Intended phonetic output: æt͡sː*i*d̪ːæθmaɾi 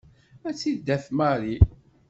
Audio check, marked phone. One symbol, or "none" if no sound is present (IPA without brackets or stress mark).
i